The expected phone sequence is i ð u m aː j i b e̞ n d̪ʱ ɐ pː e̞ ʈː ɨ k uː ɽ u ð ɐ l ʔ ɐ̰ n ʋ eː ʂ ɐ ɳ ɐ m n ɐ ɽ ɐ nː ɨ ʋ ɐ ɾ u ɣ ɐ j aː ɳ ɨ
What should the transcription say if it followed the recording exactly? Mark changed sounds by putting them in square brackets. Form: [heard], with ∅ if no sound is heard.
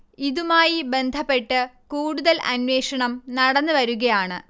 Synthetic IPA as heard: i ð u m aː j i b e̞ n d̪ʱ ɐ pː e̞ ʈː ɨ k uː ɽ u ð ɐ l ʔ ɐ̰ n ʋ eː ʂ ɐ ɳ ɐ m n ɐ ɽ ɐ nː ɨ ʋ ɐ ɾ u ɣ ɐ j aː ɳ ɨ